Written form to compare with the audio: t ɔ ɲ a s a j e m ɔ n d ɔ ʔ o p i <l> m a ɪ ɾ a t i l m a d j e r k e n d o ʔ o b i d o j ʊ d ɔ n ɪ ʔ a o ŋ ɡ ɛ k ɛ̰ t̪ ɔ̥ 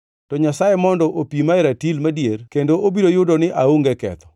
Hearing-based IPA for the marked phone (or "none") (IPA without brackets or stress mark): none